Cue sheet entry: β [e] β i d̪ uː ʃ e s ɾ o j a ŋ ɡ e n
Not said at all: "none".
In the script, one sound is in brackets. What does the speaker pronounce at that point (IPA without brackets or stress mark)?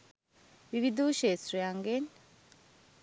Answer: i